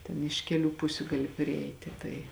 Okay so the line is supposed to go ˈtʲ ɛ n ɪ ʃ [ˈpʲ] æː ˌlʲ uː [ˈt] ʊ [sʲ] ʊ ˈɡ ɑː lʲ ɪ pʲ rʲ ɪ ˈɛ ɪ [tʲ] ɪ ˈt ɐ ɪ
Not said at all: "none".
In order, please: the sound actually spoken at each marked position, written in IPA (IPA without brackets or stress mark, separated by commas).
kʲ, p, sʲ, tʲ